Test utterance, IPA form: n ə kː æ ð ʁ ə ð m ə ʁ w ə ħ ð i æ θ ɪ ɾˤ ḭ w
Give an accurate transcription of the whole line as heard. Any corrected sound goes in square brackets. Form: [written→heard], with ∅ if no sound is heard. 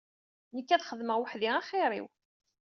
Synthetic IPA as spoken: n ə kː æ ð [ʁ→χ] ə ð m ə ʁ w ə ħ ð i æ [θ→χ] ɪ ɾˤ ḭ w